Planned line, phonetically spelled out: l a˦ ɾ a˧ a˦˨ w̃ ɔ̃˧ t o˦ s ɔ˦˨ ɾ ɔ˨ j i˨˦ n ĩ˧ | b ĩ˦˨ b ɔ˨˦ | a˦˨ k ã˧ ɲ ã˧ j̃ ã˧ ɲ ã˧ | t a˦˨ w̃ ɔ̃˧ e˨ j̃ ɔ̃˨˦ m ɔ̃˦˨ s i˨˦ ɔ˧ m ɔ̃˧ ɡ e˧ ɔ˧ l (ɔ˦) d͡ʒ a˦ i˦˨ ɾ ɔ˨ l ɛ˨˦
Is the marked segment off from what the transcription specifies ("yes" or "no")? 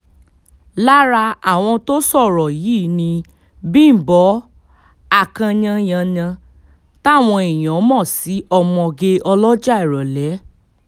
no